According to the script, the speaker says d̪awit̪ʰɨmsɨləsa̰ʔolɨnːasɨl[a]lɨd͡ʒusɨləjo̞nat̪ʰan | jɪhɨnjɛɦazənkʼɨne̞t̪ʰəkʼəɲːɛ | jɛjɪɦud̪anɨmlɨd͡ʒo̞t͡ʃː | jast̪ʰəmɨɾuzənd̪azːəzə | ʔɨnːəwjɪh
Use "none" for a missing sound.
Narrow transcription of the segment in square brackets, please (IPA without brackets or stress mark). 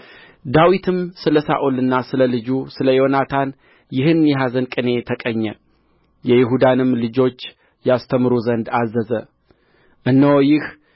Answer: ə